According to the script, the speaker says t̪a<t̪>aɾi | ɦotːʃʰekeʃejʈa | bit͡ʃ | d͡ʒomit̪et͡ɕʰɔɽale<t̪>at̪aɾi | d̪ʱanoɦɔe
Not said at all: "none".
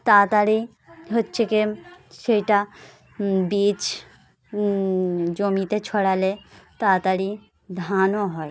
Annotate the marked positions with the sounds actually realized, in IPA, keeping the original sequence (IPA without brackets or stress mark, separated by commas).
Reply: t̪, t̪